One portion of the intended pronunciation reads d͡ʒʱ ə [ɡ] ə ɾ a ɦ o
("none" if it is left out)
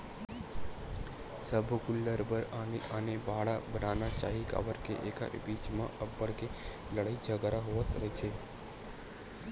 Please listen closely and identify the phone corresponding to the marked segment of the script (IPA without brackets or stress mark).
ɡ